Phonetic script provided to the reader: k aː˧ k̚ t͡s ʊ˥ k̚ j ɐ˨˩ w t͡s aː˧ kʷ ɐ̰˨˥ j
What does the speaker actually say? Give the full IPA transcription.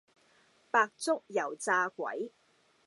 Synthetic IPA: p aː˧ k̚ t͡s ʊ˥ k̚ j ɐ˨˩ w t͡s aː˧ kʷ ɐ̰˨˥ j